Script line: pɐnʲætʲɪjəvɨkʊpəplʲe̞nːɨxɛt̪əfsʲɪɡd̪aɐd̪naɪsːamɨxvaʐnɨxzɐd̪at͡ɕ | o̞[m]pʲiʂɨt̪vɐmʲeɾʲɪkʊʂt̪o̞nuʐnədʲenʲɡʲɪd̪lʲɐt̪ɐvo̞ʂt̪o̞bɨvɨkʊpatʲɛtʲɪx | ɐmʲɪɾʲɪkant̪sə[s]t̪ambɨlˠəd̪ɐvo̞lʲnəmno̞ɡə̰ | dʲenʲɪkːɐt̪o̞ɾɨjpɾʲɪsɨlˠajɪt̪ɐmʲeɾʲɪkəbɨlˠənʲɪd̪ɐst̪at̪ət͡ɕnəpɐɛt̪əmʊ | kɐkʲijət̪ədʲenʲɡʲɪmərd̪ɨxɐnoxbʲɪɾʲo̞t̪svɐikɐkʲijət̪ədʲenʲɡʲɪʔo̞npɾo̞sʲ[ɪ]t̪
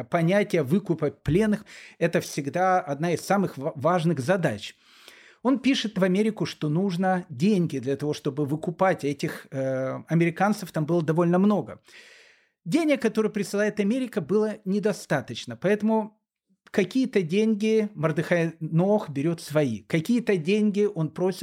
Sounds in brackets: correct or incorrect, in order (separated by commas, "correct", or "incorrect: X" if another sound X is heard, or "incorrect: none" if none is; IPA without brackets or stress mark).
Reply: incorrect: n, incorrect: f, correct